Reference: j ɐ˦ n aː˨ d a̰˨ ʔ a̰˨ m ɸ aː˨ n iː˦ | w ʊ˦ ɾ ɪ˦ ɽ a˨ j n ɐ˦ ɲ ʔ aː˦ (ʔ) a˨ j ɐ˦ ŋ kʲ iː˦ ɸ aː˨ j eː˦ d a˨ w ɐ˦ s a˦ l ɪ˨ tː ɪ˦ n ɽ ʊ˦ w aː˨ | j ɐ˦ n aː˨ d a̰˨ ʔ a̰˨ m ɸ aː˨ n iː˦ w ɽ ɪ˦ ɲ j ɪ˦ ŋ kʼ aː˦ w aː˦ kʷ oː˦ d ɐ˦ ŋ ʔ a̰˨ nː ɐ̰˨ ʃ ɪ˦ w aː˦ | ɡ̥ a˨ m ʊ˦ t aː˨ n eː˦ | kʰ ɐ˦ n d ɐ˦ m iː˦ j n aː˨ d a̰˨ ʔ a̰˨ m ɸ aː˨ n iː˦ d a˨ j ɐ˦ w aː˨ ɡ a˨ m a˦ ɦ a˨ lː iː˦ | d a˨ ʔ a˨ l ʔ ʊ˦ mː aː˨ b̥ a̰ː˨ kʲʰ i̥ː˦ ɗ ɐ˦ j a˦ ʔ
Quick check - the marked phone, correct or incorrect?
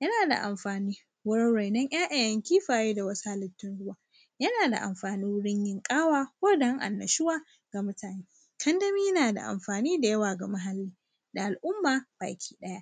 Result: correct